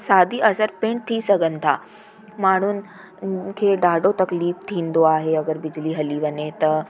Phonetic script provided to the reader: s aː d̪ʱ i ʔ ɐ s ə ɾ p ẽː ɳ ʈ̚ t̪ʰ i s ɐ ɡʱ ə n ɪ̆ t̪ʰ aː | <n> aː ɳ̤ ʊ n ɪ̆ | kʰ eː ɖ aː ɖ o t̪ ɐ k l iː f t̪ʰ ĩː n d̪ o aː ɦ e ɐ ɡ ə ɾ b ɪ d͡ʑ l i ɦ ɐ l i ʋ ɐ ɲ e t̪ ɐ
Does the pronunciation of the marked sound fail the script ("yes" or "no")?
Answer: yes